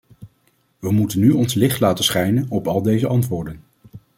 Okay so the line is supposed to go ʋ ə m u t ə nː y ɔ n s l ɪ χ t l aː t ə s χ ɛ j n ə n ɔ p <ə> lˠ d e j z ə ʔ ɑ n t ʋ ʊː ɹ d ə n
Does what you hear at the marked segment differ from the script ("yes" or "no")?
yes